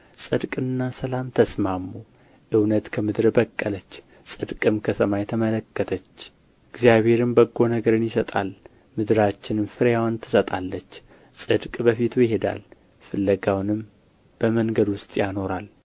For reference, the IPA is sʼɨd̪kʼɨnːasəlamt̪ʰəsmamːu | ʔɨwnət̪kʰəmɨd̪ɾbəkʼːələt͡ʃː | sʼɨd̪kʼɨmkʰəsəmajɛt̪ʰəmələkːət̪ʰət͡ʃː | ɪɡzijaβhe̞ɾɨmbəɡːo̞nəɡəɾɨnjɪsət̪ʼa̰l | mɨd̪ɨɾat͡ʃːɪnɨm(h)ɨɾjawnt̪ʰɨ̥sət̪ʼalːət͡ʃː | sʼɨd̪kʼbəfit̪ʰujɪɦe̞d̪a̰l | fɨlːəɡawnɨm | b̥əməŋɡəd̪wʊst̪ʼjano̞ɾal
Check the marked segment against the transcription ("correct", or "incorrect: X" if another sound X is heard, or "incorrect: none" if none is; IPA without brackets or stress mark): incorrect: f